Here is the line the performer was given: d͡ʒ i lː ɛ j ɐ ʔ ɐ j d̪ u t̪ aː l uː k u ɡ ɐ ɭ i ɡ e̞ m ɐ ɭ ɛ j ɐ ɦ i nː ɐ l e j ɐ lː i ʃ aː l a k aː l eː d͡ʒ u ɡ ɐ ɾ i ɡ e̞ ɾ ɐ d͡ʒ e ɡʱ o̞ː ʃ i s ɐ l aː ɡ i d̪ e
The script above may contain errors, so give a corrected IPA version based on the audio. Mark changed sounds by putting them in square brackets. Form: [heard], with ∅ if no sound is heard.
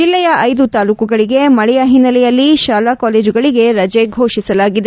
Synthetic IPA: d͡ʒ i lː ɛ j ɐ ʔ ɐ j d̪ u t̪ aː l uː k u ɡ ɐ ɭ i ɡ e̞ m ɐ ɭ ɛ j ɐ ɦ i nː ɐ l [ɛ] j ɐ lː i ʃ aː l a k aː l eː d͡ʒ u ɡ ɐ [ɭ] i ɡ e̞ ɾ ɐ d͡ʒ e ɡʱ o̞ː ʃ i s ɐ l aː ɡ i d̪ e